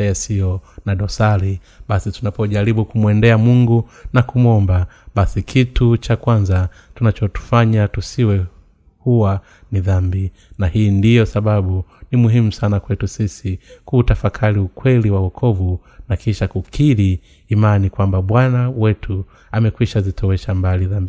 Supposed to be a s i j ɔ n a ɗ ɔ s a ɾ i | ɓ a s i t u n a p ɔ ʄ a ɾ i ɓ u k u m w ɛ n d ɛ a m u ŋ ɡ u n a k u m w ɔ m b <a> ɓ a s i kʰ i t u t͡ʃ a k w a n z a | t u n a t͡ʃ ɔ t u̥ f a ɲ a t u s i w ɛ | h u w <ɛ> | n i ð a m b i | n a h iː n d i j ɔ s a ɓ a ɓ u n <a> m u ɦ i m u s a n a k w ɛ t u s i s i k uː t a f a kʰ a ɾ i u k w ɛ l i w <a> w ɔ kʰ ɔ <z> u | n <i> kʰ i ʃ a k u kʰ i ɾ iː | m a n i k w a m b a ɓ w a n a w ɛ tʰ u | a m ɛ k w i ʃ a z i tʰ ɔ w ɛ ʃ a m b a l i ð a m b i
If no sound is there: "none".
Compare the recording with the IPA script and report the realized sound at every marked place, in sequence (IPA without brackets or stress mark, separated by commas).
a, a, i, a, v, a